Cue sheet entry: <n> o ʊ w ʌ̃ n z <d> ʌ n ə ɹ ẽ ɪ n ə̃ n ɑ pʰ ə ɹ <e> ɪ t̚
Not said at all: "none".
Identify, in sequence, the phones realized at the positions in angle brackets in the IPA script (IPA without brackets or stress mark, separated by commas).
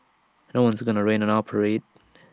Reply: n, ɡ, e